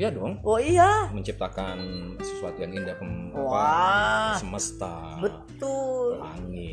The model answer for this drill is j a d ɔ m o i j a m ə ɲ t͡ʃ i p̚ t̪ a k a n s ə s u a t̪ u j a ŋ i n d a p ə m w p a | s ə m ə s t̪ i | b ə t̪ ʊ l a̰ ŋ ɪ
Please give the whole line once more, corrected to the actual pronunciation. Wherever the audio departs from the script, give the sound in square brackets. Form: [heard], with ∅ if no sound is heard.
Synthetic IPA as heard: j a d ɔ [ŋ] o i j a m ə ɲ t͡ʃ i p̚ t̪ a k a n s ə s u a t̪ u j a ŋ i n d a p ə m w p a | s ə m ə s t̪ [a] | b ə t̪ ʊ l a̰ ŋ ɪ